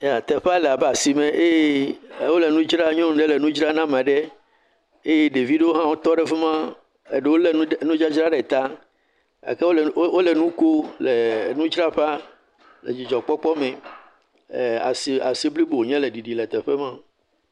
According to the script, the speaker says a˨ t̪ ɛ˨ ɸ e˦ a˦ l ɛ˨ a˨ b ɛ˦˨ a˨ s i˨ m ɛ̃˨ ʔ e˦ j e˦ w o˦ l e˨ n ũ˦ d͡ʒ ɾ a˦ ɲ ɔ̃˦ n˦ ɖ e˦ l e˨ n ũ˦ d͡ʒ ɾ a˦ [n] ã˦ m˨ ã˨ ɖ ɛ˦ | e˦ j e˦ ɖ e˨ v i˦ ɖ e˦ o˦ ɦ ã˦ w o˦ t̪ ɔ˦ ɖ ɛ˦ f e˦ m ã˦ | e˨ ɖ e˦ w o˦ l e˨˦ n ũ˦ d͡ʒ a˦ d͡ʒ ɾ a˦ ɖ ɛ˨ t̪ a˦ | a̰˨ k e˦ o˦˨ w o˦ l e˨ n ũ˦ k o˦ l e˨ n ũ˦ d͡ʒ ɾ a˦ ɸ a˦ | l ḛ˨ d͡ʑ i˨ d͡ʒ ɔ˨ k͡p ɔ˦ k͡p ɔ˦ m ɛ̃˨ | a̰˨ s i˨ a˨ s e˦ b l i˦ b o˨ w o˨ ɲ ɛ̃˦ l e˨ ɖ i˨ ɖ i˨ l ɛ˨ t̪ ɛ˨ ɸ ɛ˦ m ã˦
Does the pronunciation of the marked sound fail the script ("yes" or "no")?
no